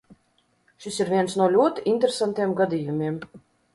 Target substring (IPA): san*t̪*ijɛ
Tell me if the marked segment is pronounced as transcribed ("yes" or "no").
yes